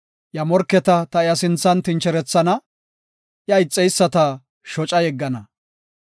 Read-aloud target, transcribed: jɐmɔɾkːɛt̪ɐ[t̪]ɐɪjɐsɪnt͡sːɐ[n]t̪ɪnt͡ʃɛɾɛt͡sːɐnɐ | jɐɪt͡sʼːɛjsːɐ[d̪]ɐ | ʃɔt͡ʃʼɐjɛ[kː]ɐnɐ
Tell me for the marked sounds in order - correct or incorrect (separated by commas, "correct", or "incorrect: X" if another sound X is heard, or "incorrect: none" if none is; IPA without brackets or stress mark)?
correct, correct, incorrect: t̪, incorrect: ɡː